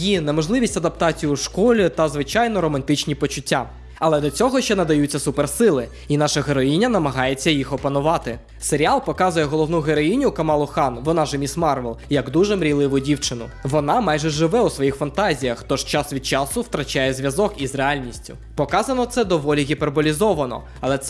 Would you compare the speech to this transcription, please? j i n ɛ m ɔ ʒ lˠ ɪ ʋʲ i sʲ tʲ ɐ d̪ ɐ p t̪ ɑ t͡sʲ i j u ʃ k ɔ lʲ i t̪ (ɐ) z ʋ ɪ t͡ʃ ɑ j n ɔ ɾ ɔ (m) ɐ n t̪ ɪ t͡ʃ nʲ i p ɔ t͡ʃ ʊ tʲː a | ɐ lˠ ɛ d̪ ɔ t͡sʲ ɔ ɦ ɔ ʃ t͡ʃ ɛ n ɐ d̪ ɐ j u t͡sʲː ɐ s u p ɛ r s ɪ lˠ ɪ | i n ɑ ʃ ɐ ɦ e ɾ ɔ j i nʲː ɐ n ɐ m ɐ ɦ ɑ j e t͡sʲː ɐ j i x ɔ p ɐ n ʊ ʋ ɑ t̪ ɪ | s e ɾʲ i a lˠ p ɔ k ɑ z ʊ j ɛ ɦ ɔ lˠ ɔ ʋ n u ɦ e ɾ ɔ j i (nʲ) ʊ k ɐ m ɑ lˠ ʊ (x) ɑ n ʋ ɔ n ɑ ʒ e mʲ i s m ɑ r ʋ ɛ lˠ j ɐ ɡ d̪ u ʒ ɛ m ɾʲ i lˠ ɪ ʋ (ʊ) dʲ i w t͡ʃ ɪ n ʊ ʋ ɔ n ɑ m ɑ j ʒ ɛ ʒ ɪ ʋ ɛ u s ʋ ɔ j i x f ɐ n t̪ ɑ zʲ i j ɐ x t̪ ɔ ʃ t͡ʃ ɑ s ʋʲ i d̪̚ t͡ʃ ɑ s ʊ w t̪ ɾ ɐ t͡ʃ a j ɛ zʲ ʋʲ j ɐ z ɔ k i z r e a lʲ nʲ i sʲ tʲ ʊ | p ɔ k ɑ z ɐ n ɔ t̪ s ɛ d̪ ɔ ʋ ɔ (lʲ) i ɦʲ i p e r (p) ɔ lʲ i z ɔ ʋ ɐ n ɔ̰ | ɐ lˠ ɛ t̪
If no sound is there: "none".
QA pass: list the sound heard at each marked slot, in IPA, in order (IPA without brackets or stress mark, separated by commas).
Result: ɐ, m, nʲ, x, ʊ, lʲ, b